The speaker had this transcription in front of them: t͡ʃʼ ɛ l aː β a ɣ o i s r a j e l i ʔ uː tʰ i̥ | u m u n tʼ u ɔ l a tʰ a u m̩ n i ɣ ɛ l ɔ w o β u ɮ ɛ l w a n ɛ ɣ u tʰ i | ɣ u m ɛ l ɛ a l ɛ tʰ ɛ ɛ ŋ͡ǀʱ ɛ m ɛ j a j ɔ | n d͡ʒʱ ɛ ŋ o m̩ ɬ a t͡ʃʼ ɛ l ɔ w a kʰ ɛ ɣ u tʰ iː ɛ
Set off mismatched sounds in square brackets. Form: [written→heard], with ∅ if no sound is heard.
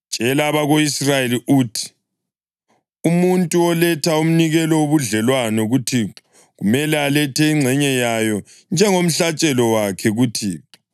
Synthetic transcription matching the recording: t͡ʃʼ ɛ l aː β a ɣ o i s r a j e l i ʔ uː tʰ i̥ | u m u n tʼ u ɔ l [a→ɛ] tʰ a u m̩ n i ɣ ɛ l ɔ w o β u ɮ ɛ l w a n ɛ ɣ u tʰ i | ɣ u m ɛ l ɛ a l ɛ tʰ ɛ [ɛ→i] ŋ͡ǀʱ ɛ [m→ɲ] ɛ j a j ɔ | n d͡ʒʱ ɛ ŋ o m̩ ɬ a t͡ʃʼ ɛ l ɔ w a kʰ ɛ ɣ u tʰ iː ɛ